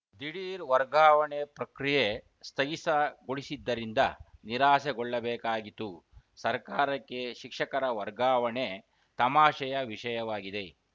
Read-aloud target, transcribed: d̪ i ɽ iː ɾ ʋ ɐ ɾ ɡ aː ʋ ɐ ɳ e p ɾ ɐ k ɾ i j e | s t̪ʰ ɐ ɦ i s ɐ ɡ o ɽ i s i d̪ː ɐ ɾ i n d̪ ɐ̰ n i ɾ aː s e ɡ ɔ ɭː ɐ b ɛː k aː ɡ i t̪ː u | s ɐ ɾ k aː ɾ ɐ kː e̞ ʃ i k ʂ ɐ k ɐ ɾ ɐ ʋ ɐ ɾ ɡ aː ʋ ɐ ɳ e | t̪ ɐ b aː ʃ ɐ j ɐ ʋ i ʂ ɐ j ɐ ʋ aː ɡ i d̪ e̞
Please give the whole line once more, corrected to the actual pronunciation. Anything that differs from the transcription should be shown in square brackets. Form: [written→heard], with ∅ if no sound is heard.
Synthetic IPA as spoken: d̪ i ɽ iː ɾ ʋ ɐ ɾ ɡ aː ʋ ɐ ɳ e p ɾ ɐ k ɾ i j e | s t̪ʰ ɐ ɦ i s ɐ ɡ o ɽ i s i d̪ː ɐ ɾ i n d̪ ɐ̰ n i ɾ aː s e ɡ ɔ ɭː ɐ b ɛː k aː ɡ i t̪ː u | s ɐ ɾ k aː ɾ ɐ kː e̞ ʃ i k ʂ ɐ k ɐ ɾ ɐ ʋ ɐ ɾ ɡ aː ʋ ɐ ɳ e | t̪ ɐ [b→m] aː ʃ ɐ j ɐ ʋ i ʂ ɐ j ɐ ʋ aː ɡ i d̪ e̞